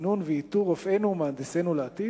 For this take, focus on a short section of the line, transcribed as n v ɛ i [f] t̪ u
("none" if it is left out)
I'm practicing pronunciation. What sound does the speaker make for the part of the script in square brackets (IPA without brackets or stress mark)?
none